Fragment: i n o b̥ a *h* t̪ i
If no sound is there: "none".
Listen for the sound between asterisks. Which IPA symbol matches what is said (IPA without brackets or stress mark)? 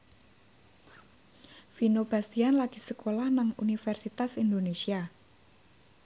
s